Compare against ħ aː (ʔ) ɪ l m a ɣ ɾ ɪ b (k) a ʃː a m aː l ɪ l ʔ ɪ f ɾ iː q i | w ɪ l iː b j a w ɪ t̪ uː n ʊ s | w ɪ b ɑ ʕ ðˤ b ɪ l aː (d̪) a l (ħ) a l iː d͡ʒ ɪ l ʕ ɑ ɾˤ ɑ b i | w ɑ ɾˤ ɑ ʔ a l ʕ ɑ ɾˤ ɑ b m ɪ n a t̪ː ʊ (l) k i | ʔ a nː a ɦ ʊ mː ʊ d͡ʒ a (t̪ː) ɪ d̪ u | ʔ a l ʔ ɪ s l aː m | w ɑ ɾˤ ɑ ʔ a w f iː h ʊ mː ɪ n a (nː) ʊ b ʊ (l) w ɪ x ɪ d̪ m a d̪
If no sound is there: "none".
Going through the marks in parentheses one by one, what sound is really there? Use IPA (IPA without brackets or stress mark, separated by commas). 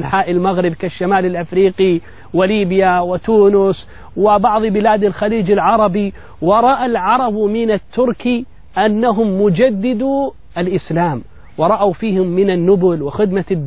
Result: ʔ, k, d̪, x, ɾ, d̪ː, nː, l